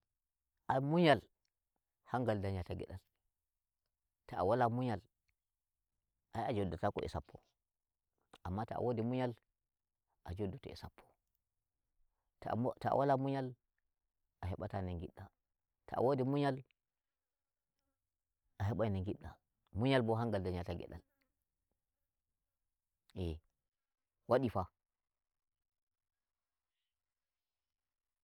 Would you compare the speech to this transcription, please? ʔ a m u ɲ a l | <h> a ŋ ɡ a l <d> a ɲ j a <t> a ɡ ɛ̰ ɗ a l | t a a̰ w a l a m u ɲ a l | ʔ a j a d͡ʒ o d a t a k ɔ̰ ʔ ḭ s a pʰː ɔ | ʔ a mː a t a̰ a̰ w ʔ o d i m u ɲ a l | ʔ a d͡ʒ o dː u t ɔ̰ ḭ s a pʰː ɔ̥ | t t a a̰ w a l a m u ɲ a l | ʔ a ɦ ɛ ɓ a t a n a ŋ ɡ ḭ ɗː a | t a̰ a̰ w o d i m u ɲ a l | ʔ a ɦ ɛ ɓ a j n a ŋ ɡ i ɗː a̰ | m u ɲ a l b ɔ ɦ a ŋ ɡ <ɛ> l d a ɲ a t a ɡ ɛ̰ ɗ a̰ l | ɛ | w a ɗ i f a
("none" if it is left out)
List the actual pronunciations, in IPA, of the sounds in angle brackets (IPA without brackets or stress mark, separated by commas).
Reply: h, d, t, a